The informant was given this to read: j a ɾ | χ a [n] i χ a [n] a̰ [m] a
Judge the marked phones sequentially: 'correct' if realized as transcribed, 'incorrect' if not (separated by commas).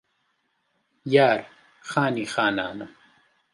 correct, correct, incorrect